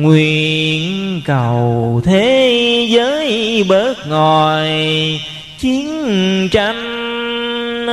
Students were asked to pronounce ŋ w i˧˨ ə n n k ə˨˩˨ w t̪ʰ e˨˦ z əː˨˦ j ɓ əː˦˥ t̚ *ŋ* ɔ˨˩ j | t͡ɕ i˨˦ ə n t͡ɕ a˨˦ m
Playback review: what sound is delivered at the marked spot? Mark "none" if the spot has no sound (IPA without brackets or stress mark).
ŋ